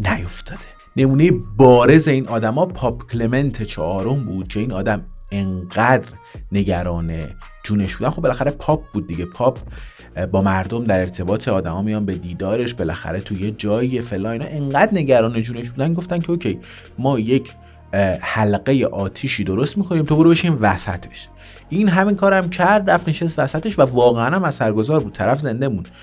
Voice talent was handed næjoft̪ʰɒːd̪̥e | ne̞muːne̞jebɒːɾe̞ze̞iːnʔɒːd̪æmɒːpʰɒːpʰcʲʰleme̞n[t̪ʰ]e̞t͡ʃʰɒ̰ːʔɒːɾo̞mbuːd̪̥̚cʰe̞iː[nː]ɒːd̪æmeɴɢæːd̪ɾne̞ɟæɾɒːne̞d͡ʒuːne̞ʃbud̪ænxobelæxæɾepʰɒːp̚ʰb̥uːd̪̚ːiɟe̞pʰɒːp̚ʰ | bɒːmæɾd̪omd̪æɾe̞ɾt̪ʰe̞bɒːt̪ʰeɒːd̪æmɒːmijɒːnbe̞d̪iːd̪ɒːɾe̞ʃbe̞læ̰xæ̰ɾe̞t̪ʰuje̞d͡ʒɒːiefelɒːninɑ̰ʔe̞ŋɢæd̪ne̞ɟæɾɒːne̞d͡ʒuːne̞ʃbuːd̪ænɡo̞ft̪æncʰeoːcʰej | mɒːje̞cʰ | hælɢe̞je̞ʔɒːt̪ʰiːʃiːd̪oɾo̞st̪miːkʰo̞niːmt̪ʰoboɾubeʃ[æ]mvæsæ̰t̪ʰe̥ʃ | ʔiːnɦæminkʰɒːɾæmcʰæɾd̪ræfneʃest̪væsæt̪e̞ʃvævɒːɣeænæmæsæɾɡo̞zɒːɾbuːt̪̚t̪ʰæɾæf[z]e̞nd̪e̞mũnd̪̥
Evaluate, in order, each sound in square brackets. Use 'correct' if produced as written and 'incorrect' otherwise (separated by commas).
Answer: correct, incorrect, incorrect, correct